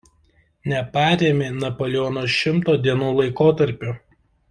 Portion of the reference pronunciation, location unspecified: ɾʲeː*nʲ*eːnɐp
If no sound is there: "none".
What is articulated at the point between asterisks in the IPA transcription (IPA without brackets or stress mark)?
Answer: mʲ